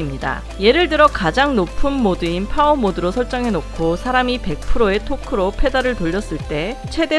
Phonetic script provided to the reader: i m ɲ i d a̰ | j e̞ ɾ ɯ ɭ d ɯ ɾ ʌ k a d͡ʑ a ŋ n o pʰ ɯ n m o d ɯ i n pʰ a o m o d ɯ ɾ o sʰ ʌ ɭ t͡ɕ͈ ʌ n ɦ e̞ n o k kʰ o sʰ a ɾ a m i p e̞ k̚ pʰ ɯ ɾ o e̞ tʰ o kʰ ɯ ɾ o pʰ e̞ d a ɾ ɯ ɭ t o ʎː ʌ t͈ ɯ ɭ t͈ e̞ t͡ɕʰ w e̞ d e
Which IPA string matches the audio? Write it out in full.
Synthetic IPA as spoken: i m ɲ i d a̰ | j e̞ ɾ ɯ ɭ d ɯ ɾ ʌ k a d͡ʑ a ŋ n o pʰ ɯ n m o d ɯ i n pʰ a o m o d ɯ ɾ o sʰ ʌ ɭ t͡ɕ͈ ʌ ŋ ɦ e̞ n o k kʰ o sʰ a ɾ a m i p e̞ k̚ pʰ ɯ ɾ o e̞ tʰ o kʰ ɯ ɾ o pʰ e̞ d a ɾ ɯ ɭ t o ʎː ʌ s͈ ɯ ɭ t͈ e̞ t͡ɕʰ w e̞ d e

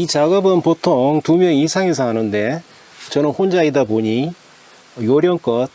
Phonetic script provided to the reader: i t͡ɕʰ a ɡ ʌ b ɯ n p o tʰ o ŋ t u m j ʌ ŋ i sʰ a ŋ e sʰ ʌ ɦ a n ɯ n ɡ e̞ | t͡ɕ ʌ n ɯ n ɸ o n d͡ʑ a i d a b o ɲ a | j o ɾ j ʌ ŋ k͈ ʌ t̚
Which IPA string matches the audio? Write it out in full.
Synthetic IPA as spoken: i t͡ɕ a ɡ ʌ b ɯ n p o tʰ o ŋ t u m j ʌ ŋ i sʰ a ŋ e sʰ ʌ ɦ a n ɯ n d e̞ | t͡ɕ ʌ n ɯ n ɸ o n d͡ʑ a i d a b o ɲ i | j o ɾ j ʌ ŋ k͈ ʌ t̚

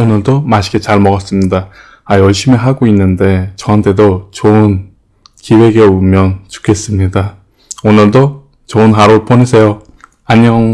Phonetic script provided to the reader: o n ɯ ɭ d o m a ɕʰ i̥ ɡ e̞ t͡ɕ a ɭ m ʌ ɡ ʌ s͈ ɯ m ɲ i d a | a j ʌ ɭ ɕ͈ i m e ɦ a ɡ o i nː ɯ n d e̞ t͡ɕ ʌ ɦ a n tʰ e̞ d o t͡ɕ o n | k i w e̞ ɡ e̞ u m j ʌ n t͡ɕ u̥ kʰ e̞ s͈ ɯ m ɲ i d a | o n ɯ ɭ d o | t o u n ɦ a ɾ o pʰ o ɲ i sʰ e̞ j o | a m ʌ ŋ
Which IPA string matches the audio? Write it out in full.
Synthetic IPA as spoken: o n ɯ ɭ d o m a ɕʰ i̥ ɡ e̞ t͡ɕ a ɭ m ʌ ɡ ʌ s͈ ɯ m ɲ i d a | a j ʌ ɭ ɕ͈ i m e ɦ a ɡ o i nː ɯ n d e̞ t͡ɕ ʌ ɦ a n tʰ e̞ d o t͡ɕ o n | k i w e̞ ɡ e̞ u m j ʌ n t͡ɕ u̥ kʰ e̞ s͈ ɯ m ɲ i d a | o n ɯ ɭ d o | t͡ɕ o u n ɦ a ɾ o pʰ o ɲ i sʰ e̞ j o | a ɲ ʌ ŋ

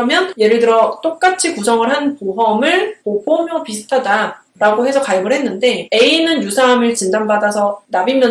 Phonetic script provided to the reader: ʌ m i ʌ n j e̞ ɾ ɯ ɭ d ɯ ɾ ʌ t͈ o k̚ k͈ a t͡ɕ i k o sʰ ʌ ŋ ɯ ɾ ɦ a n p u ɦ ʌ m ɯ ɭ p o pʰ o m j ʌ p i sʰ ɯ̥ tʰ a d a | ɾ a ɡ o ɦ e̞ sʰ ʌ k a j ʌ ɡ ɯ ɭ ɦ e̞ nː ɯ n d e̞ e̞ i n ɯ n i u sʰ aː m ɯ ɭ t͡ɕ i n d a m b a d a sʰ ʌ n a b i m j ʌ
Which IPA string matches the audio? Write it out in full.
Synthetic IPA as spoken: ʌ m j ʌ n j e̞ ɾ ɯ ɭ d ɯ ɾ ʌ t͈ o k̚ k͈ a t͡ɕʰ i k u sʰ ʌ ŋ ɯ ɭ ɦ a n p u ɦ ʌ m ɯ ɭ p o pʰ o m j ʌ p i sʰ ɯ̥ tʰ a d a | ɾ a ɡ o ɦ e̞ sʰ ʌ k a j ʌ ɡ ɯ ɭ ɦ e̞ nː ɯ n d e̞ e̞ i n ɯ n j u sʰ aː m ɯ ɭ t͡ɕ i n d a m b a d a sʰ ʌ n a b i m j ʌ

